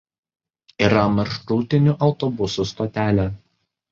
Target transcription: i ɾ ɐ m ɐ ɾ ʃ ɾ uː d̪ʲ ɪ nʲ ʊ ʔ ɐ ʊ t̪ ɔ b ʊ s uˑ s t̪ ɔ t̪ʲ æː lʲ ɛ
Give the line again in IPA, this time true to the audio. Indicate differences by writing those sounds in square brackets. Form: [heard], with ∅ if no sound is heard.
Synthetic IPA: i ɾ ɐ m ɐ ɾ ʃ ɾ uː [t̪ʲ] ɪ nʲ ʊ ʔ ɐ ʊ t̪ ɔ b ʊ s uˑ s t̪ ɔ t̪ʲ æː lʲ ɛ